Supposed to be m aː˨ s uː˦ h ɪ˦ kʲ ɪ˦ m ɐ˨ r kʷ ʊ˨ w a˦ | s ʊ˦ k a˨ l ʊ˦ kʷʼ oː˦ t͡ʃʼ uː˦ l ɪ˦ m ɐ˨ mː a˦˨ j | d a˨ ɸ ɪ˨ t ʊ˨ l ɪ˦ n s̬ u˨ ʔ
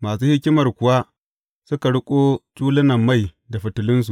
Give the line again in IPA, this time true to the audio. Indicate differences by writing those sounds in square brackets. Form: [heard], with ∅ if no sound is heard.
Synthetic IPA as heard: m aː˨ s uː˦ h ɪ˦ kʲ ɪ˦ m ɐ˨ r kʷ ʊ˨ w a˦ | s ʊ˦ k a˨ [ɽ] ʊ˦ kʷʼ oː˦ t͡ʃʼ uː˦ l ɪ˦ [n] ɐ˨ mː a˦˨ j | d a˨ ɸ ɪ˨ t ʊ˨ l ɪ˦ n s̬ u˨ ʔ

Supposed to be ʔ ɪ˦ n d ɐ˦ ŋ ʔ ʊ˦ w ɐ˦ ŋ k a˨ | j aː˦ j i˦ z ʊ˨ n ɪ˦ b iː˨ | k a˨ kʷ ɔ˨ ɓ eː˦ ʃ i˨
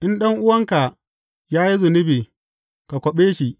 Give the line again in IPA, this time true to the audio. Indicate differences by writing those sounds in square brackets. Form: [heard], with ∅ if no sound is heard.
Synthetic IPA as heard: ʔ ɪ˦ n [ɗ] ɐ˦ ŋ ʔ ʊ˦ w ɐ˦ ŋ k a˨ | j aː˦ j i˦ z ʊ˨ n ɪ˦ b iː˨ | k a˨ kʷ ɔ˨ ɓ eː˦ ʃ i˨

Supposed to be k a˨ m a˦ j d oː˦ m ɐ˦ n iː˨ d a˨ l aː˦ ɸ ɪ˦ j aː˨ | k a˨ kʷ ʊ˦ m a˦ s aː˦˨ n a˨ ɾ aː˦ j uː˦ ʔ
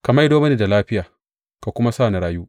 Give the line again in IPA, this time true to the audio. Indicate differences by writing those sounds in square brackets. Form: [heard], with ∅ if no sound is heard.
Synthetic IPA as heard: k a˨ m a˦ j d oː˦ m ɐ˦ n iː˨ d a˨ l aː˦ ɸ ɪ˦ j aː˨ | k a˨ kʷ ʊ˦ m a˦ s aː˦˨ n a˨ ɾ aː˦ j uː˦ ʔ

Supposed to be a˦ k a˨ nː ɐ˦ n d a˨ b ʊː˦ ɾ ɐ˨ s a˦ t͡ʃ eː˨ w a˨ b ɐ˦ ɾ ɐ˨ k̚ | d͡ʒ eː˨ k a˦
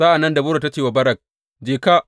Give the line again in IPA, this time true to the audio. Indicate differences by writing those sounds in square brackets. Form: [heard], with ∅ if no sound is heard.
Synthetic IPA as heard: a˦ [ʔ] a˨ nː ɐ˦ n d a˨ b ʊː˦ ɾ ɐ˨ [t] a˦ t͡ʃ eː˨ w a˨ b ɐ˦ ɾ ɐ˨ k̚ | d͡ʒ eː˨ k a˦

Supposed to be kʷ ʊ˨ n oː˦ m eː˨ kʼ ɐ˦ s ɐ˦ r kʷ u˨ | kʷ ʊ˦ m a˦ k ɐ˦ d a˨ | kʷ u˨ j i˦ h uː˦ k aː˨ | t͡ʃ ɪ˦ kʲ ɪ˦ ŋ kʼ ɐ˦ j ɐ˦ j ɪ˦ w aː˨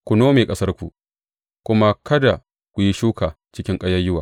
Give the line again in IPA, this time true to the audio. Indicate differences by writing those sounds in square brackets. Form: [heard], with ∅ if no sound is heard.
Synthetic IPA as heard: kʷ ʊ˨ n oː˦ m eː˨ kʼ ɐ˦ s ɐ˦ r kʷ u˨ | kʷ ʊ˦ m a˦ k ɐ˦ d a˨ | kʷ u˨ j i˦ [ʃ] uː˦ k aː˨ | t͡ʃ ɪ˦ kʲ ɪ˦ ŋ kʼ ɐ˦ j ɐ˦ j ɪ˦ w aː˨

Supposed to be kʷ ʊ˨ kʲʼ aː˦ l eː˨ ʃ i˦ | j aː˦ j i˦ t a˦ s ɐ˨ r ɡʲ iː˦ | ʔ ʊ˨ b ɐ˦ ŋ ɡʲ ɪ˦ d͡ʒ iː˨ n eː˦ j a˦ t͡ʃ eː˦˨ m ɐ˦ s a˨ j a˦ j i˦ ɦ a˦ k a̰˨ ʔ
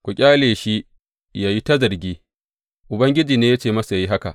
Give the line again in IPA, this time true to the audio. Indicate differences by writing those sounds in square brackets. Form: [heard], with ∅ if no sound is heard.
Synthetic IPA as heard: kʷ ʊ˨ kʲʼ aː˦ l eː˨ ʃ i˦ | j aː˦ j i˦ t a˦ [z] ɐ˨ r ɡʲ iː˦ | ʔ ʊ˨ b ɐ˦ ŋ ɡʲ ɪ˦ d͡ʒ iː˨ n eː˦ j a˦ t͡ʃ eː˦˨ m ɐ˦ s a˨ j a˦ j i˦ ɦ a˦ k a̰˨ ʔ

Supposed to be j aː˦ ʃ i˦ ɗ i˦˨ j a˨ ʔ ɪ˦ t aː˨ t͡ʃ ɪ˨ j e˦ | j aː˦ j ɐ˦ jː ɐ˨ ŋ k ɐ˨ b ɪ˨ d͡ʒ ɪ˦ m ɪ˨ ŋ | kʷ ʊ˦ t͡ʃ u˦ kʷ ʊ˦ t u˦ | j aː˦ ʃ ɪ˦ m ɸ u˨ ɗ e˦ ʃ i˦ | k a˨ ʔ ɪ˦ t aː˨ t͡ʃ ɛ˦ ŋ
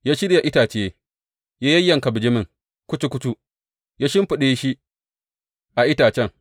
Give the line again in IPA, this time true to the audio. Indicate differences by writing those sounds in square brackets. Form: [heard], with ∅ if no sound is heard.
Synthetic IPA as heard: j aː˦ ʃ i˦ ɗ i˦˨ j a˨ ʔ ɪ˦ t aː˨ t͡ʃ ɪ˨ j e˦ | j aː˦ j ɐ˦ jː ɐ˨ ŋ k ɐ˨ b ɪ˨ d͡ʒ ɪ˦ m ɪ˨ ŋ | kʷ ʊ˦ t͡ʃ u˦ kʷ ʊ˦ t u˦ | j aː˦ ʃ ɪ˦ m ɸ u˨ ɗ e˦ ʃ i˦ | [ʔ] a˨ ʔ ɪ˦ t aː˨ t͡ʃ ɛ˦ ŋ

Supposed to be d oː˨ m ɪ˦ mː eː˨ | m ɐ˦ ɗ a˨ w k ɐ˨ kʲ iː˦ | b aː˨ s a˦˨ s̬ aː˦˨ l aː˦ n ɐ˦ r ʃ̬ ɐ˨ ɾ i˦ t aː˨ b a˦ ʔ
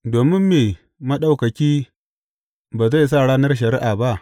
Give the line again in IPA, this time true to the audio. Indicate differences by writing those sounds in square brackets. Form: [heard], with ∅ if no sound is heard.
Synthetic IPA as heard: d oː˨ m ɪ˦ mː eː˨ | m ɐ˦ ɗ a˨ w k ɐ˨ kʲ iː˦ | b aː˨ [z] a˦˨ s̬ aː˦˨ [ɽ] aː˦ n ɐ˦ r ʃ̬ ɐ˨ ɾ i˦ [ʔ] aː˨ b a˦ ʔ

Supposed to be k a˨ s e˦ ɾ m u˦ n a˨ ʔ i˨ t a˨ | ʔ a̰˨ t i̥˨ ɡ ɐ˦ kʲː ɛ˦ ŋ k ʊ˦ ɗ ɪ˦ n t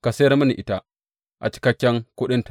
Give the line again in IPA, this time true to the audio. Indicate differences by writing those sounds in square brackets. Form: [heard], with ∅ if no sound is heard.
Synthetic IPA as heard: k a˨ s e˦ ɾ m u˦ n [i˨] ʔ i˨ t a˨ | ʔ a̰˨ [t͡ʃ] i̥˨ [k] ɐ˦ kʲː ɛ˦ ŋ k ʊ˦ ɗ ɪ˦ n t

